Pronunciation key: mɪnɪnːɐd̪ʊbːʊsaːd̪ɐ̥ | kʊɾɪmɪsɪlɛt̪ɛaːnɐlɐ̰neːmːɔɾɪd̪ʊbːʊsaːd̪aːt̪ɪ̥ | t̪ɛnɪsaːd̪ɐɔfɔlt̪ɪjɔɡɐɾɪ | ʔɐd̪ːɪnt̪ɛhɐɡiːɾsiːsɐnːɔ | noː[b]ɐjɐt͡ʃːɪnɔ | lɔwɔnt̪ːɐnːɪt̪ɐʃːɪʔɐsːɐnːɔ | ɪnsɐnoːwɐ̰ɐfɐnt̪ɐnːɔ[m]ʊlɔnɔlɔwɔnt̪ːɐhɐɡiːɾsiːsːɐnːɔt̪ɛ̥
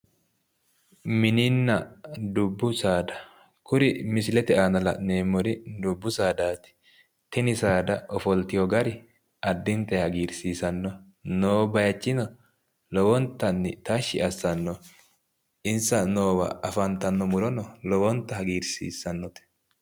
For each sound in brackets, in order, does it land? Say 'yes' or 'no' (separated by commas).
yes, yes